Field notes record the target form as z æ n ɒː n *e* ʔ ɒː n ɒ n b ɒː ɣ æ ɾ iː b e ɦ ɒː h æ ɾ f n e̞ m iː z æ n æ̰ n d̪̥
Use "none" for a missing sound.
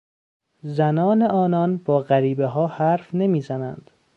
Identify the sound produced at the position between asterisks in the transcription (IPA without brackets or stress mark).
e